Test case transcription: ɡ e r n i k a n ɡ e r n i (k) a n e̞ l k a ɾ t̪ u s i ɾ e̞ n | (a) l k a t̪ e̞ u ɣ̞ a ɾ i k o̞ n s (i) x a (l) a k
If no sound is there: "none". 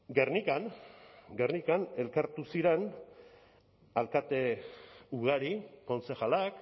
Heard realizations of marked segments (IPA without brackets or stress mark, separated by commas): k, a, e, l